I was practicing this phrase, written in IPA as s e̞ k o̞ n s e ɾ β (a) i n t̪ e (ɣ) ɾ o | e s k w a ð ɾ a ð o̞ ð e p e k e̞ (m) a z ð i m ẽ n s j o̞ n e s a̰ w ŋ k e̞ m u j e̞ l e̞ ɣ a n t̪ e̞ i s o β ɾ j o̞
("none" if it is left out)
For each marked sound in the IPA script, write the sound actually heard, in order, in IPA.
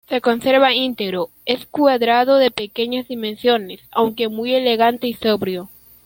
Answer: a, ɣ, ɲ

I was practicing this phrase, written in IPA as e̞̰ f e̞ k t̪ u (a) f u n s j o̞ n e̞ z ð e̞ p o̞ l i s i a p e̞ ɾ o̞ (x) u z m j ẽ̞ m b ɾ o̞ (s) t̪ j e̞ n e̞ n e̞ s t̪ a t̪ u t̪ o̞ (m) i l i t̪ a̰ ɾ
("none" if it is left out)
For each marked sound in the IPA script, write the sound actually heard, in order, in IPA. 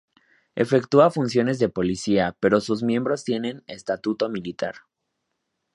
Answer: a, s, s, m

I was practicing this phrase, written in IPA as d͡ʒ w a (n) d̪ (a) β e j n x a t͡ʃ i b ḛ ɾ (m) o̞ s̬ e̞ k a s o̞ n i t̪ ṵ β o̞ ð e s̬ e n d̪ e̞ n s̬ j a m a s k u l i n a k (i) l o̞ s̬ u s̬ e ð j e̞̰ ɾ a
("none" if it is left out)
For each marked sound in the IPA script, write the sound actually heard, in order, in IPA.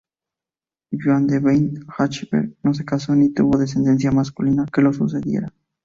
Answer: n, e, n, e

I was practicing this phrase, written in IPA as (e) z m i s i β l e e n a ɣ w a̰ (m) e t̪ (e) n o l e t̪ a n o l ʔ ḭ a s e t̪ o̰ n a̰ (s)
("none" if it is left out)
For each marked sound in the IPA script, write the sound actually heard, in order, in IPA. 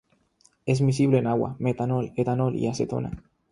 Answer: e, m, a, none

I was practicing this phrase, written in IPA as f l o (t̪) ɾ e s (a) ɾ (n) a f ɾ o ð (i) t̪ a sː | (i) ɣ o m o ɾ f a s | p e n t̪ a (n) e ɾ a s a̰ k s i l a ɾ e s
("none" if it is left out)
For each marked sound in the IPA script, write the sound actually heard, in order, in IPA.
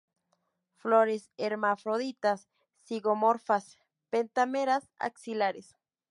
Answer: none, e, m, i, i, m

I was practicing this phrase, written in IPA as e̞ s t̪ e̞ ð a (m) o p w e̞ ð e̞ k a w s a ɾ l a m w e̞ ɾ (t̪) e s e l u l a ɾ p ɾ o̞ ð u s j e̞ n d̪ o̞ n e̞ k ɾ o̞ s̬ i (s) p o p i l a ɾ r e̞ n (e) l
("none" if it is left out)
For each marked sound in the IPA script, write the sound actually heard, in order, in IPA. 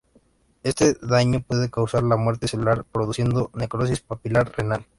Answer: ɲ, t̪, s, a

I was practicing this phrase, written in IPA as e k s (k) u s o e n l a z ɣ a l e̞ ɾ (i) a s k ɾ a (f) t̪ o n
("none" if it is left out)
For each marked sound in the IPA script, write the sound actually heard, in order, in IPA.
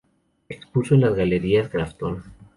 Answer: p, i, f

